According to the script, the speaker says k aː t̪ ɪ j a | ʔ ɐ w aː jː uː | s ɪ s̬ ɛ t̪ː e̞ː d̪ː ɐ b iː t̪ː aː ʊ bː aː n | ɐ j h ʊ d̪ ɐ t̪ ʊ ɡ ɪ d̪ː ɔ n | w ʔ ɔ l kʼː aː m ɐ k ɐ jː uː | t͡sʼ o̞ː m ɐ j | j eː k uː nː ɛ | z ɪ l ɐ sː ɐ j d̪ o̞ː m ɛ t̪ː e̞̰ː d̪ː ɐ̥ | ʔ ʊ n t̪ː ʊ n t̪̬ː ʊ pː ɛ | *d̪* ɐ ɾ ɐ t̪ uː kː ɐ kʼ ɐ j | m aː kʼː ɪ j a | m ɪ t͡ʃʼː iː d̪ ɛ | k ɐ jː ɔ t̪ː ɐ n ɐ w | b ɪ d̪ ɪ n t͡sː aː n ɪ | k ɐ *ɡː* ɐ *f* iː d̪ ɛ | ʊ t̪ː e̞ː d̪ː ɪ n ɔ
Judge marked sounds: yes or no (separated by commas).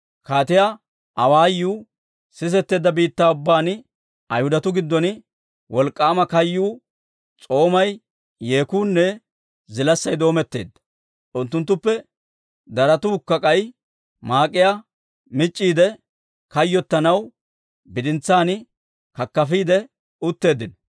yes, no, yes